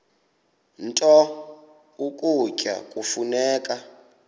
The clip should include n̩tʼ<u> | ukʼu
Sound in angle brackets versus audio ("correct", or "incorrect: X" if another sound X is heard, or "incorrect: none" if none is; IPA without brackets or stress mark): incorrect: ɔ